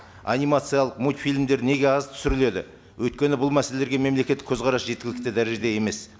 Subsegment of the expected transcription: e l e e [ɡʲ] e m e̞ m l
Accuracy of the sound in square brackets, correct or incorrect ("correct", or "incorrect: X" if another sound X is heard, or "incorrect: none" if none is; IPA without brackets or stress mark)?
correct